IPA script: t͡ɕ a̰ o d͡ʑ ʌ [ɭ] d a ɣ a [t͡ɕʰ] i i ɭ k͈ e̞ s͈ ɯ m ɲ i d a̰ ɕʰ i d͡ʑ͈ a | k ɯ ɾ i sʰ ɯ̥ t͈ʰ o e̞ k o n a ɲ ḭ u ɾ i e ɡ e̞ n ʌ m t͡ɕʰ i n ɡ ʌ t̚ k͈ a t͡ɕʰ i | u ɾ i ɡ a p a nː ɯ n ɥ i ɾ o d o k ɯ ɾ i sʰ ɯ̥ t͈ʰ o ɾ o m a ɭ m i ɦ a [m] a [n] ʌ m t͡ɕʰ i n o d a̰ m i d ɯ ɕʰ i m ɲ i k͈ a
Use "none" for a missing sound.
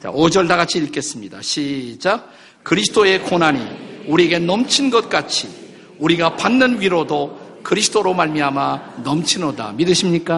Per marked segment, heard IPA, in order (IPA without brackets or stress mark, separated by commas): ɭ, t͡ɕʰ, m, n